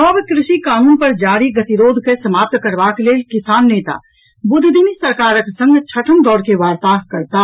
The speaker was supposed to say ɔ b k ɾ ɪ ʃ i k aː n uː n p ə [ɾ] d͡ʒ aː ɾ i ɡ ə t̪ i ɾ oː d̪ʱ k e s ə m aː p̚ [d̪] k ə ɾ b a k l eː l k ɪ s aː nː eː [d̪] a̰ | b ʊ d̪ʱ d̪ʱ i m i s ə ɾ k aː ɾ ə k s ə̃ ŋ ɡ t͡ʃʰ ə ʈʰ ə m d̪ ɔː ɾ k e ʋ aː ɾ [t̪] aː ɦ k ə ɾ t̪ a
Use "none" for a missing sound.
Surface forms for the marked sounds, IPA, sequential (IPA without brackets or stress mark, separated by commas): ɾ, t̪, t̪, t̪